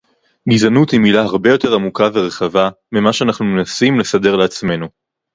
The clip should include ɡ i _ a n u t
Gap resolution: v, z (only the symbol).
z